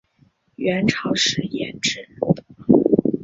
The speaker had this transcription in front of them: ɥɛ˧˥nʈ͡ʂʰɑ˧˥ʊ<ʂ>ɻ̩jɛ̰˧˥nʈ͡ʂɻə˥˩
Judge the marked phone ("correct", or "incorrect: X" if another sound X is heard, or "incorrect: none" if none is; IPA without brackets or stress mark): correct